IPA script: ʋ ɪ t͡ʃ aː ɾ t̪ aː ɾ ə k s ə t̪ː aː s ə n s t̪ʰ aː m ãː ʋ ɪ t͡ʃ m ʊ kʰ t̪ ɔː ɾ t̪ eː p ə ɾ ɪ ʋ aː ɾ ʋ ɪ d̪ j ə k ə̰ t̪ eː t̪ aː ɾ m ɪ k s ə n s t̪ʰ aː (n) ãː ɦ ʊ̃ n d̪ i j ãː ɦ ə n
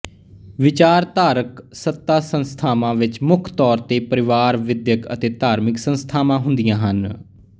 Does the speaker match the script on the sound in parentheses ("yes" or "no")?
no